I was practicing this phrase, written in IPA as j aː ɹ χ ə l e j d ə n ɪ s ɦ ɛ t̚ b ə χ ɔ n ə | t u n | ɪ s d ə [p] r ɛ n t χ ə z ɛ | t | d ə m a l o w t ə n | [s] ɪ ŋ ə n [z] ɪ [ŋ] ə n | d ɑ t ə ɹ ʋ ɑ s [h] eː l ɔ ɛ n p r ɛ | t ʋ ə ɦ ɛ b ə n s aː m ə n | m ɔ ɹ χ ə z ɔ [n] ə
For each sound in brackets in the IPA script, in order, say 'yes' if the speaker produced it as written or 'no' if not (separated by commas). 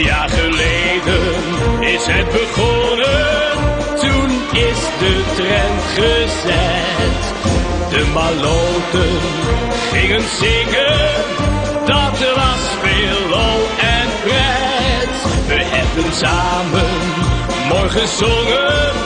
no, no, yes, yes, no, no